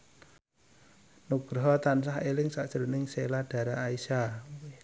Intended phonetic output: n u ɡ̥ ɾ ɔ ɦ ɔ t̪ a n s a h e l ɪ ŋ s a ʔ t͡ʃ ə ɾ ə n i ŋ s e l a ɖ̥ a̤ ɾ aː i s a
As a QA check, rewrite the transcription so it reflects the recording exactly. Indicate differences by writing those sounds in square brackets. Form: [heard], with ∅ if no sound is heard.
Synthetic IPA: n u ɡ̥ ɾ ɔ ɦ ɔ t̪ a n s a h e l ɪ ŋ s a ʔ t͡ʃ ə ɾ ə n [ɪ] ŋ s e l a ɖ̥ a̤ ɾ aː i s a

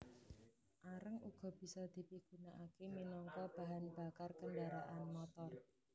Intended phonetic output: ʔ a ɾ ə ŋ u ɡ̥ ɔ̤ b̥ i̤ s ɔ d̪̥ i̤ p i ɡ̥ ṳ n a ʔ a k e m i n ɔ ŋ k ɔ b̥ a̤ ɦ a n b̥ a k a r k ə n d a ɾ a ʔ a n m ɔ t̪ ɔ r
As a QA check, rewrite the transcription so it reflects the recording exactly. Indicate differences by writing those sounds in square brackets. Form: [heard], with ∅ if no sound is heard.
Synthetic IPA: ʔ a ɾ ə ŋ u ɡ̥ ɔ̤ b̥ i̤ s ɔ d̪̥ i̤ p i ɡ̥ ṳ n a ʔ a k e m i n ɔ ŋ k ɔ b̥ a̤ ɦ a n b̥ a k a r k ə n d a ɾ a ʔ a n m ɔ t̪ ɔ r

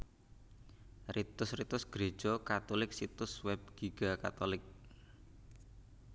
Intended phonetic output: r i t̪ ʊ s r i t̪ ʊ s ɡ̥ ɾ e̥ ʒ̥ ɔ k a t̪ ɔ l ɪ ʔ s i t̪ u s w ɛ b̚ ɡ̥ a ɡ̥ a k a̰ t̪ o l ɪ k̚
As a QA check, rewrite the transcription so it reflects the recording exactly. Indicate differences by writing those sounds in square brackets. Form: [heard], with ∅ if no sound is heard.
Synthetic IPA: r i t̪ ʊ s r i t̪ ʊ s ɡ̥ ɾ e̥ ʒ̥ ɔ k a t̪ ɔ l ɪ [k] s i t̪ [ʊ] s w ɛ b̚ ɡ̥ [i] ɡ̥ a k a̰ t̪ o l ɪ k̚

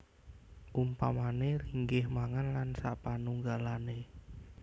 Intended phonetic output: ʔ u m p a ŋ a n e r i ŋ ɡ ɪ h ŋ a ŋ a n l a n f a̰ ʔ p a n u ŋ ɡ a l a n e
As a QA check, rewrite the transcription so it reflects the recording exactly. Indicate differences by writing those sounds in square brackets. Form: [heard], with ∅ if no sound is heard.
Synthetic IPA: ʔ u m p a [m] a n e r i ŋ ɡ ɪ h [m] a ŋ a n l a n [s] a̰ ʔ p a n u ŋ ɡ a l a n e

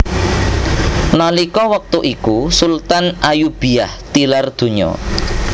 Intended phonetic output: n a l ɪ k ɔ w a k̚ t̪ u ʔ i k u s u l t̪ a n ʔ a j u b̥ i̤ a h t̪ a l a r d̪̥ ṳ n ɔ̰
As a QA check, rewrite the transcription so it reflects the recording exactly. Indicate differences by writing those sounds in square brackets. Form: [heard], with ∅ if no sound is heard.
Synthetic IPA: n a l [i] k ɔ w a k̚ t̪ u ʔ i k u s u l t̪ a n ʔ a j u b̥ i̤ a h t̪ [i] l a r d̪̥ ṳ [ɲ] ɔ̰

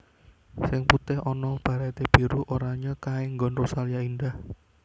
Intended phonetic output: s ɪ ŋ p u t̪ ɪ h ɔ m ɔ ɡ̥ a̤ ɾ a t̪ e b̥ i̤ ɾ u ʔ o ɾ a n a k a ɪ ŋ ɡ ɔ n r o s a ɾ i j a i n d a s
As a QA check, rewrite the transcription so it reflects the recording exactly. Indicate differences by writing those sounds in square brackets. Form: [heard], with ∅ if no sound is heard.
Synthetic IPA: s ɪ ŋ p u t̪ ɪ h ɔ [n] ɔ [b̥] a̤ ɾ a t̪ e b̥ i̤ ɾ u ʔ o ɾ a [ɲ] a k a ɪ ŋ ɡ ɔ n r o s a [l] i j a i n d a [h]

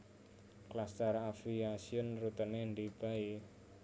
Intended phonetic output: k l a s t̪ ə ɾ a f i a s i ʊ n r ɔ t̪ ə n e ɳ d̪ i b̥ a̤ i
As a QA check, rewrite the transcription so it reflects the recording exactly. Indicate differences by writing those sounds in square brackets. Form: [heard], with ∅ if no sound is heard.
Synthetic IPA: k l a s t̪ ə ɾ a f i a s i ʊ n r [u] t̪ ə n e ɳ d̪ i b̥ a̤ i

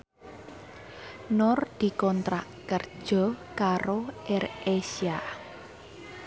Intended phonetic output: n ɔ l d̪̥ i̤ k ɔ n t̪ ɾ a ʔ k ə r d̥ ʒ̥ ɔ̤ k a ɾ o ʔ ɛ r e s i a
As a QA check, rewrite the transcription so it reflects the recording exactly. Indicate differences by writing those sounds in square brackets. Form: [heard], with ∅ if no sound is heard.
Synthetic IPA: n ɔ [r] d̪̥ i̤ k ɔ n t̪ ɾ a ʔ k ə r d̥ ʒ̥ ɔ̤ k a ɾ o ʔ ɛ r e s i a

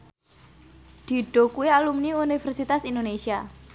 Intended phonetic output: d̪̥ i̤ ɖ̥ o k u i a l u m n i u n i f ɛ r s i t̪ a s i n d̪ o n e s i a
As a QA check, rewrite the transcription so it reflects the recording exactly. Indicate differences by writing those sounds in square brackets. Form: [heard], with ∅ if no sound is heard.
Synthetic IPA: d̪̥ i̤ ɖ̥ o k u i a l u m n i u n i f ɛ r s i t̪ a s i n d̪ o n e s i a

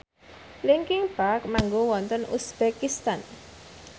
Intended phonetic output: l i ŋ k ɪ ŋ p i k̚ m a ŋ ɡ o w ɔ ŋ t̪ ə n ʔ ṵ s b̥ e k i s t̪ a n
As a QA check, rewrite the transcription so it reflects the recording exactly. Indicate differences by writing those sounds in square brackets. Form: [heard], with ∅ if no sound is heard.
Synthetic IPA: l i ŋ k ɪ ŋ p [a] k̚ m a ŋ ɡ o w ɔ [n] t̪ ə n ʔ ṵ s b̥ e k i s t̪ a n

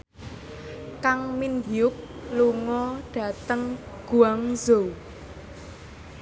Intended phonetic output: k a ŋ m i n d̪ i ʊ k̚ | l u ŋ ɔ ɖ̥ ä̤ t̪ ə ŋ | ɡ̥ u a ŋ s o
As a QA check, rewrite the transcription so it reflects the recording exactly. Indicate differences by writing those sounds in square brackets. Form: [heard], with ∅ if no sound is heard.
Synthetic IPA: k a ŋ m i n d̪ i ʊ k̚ | l u ŋ ɔ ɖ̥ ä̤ t̪ ə ŋ | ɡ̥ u a ŋ [z] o

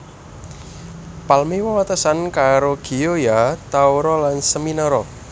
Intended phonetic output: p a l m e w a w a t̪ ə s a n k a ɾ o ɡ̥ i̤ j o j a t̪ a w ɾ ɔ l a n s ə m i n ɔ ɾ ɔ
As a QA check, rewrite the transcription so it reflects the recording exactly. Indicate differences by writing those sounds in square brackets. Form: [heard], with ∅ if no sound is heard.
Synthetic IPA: p a l m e w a w a t̪ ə s a n k a ɾ o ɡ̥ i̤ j o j a t̪ a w ɾ ɔ l a n s ə m i n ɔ ɾ ɔ

